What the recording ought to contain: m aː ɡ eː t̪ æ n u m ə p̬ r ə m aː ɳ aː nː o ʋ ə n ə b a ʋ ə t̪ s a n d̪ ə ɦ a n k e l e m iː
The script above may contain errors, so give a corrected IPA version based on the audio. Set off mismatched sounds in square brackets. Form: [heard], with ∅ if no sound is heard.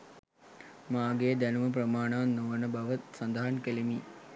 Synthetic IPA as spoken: m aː ɡ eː [d̪] æ n u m ə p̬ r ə m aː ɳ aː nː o ʋ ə n ə b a ʋ ə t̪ s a n d̪ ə ɦ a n k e l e m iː